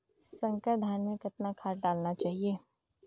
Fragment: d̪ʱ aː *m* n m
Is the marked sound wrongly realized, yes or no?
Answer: yes